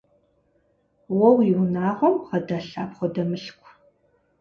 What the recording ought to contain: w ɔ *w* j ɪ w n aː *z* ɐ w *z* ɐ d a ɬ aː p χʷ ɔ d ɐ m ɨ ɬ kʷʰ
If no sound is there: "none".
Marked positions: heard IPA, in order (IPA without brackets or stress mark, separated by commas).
w, ʁ, ʁ